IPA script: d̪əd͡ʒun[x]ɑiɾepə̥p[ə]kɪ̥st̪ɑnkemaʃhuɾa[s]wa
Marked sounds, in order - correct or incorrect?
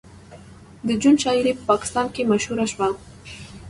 incorrect: ʃ, incorrect: ɑ, incorrect: ʃ

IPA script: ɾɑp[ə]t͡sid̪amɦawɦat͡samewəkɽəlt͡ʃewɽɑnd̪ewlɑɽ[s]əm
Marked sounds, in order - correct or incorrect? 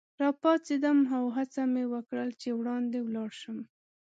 incorrect: ɑ, incorrect: ʃ

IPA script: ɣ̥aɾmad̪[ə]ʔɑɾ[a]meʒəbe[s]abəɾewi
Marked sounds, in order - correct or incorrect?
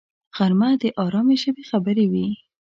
correct, incorrect: ɑ, incorrect: x

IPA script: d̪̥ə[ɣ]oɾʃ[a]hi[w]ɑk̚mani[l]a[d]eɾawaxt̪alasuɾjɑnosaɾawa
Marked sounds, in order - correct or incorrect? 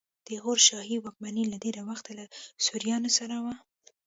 correct, incorrect: ɑ, correct, correct, correct

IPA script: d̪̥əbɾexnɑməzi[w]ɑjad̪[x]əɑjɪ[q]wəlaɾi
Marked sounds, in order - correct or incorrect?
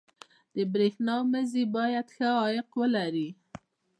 incorrect: b, correct, correct

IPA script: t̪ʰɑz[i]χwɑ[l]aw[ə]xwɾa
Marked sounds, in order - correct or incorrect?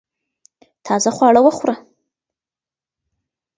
incorrect: a, incorrect: ɽ, correct

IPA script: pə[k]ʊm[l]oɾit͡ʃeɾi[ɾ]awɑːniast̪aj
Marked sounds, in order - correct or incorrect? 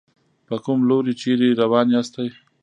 correct, correct, correct

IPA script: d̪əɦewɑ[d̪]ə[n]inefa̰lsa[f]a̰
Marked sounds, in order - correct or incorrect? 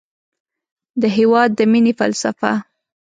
incorrect: d̪ː, incorrect: m, correct

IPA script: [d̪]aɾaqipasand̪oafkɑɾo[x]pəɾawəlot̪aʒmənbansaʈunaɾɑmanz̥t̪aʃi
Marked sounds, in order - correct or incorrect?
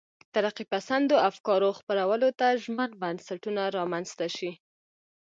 incorrect: t̪, correct

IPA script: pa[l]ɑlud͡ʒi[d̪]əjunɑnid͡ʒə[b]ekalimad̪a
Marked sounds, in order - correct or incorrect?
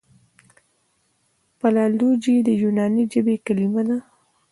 correct, correct, correct

